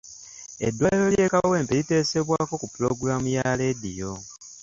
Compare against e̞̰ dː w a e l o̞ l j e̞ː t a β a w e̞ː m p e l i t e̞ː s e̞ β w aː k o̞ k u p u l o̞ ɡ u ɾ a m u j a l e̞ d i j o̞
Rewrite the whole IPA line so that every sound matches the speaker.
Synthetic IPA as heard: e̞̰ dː w a e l o̞ l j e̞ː k a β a w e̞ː m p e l i t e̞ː s e̞ β w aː k o̞ k u p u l o̞ ɡ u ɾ a m u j a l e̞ d i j o̞